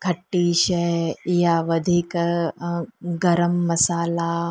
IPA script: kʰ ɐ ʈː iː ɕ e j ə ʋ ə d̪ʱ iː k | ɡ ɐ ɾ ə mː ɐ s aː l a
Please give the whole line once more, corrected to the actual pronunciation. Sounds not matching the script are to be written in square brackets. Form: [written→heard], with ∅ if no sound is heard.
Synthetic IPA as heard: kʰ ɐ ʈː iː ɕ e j [ə→a] ʋ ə d̪ʱ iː k | ɡ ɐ ɾ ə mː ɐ s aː l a